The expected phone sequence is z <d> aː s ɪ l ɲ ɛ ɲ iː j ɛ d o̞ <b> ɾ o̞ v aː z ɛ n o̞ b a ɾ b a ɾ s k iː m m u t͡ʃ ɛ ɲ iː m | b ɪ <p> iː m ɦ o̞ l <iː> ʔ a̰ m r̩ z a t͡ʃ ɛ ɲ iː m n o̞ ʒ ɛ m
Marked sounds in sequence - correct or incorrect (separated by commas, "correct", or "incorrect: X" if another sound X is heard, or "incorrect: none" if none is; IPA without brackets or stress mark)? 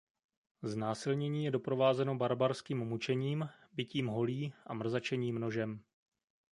incorrect: n, incorrect: p, incorrect: c, correct